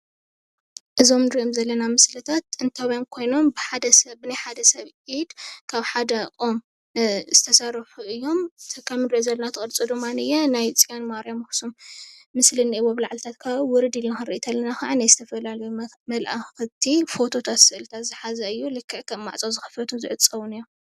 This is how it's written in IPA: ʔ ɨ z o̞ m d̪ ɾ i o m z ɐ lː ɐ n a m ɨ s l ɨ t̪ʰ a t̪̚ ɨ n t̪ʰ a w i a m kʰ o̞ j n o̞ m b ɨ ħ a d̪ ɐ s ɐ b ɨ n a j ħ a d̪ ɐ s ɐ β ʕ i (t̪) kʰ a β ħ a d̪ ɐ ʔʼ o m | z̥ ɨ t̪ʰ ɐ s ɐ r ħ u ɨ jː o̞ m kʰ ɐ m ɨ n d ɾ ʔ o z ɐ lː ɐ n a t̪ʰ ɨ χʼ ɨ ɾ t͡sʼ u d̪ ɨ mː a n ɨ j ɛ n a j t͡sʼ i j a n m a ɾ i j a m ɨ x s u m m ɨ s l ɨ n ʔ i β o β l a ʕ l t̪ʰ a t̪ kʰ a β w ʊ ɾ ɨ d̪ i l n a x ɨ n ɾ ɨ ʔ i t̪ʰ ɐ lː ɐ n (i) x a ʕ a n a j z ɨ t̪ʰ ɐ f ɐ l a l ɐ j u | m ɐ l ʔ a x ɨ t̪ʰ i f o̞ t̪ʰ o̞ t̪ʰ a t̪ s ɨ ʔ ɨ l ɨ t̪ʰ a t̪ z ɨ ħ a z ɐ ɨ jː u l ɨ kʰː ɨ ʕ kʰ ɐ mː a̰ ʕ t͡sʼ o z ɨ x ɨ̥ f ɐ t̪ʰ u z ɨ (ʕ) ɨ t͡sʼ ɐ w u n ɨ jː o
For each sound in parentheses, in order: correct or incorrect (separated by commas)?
incorrect, incorrect, correct